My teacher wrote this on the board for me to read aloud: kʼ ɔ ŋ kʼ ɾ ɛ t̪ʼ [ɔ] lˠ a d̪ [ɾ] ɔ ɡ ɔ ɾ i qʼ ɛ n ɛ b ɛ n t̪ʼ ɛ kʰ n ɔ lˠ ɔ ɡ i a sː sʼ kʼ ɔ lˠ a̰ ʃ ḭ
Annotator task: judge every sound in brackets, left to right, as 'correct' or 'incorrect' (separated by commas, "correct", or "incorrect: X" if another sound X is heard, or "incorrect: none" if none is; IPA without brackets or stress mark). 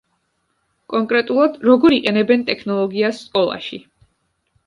incorrect: u, correct